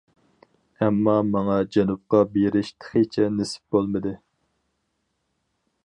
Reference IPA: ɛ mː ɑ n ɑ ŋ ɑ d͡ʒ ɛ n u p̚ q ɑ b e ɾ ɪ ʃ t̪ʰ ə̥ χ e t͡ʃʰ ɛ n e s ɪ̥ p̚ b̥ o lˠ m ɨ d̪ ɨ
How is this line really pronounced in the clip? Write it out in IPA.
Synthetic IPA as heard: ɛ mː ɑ m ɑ ŋ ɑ d͡ʒ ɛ n u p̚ q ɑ b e ɾ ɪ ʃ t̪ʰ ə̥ χ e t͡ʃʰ ɛ n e s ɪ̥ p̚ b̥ o lˠ m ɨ d̪ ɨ